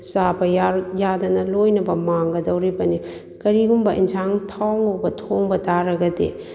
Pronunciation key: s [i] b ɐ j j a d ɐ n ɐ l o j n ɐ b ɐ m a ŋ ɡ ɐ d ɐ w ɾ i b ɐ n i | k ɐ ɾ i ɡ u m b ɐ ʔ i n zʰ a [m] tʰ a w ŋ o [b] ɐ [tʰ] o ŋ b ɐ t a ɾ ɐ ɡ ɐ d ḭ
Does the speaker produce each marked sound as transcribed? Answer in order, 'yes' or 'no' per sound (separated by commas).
no, no, yes, yes